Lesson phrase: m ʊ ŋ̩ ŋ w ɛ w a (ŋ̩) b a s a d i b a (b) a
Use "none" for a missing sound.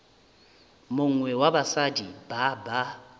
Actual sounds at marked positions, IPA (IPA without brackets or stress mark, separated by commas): none, b